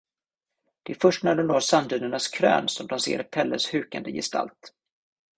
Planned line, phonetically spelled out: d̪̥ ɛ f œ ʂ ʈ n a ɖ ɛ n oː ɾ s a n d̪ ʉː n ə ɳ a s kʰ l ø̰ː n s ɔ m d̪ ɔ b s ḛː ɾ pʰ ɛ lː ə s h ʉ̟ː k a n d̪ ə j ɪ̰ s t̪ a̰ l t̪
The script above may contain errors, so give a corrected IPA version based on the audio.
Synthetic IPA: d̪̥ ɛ f œ ʂ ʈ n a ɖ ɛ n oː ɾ s a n d̪ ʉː n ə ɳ a s kʰ ɾ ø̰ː n s ɔ m d̪ ɔ m s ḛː ɾ pʰ ɛ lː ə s h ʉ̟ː k a n d̪ ə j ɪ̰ s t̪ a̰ l t̪